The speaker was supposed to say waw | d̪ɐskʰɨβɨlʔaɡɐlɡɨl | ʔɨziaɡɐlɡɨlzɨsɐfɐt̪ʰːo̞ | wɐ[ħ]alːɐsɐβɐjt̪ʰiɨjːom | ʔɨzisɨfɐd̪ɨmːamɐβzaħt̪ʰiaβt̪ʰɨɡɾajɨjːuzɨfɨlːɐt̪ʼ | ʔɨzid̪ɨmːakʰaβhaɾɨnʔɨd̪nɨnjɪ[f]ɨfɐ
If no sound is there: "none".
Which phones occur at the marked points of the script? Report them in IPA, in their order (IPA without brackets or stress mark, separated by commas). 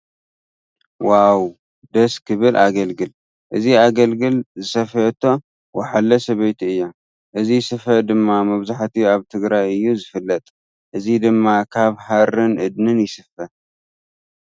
ħ, s